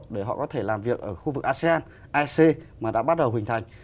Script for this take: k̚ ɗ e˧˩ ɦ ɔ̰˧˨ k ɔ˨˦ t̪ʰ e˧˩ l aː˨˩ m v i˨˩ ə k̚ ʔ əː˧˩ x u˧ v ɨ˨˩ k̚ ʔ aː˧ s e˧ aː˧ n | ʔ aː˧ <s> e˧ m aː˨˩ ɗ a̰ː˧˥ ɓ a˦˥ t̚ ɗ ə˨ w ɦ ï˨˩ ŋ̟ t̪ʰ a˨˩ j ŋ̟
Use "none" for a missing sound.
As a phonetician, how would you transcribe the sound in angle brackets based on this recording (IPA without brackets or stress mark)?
s